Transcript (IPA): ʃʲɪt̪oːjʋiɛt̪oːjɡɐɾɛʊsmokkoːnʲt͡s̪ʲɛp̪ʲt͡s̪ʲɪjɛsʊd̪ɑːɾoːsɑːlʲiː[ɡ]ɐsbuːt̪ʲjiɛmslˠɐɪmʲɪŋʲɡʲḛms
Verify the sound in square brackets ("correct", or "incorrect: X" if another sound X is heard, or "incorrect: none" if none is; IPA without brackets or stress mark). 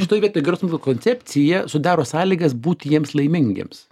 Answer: correct